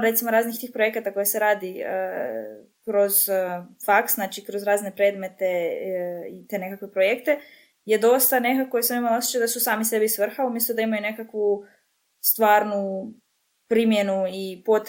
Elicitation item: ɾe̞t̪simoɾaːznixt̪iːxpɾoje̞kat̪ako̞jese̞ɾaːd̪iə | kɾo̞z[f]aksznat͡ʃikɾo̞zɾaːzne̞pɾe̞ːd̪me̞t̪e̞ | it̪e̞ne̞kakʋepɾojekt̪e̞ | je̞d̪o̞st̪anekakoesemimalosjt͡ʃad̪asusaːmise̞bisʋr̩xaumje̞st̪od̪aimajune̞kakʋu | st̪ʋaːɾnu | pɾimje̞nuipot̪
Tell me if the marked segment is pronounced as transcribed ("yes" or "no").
yes